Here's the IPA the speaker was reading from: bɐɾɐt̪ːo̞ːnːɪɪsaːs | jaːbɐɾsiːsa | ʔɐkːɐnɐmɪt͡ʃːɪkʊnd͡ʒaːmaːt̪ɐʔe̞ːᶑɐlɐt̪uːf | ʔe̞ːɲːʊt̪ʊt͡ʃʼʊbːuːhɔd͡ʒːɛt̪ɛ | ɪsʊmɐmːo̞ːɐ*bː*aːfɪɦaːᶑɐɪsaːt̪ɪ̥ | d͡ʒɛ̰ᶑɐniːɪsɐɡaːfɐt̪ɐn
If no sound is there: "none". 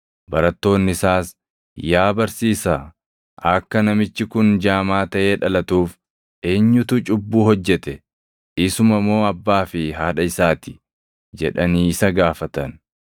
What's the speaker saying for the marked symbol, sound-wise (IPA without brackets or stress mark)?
bː